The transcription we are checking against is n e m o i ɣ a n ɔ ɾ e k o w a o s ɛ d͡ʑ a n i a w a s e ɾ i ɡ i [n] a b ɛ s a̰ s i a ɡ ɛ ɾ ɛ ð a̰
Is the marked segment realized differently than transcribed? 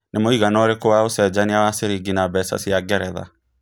no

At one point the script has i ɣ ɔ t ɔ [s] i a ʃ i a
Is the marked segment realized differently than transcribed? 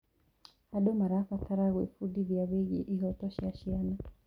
yes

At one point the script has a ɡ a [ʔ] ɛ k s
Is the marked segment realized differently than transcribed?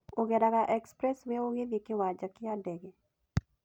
no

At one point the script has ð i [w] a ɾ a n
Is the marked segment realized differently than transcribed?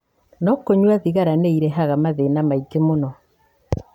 yes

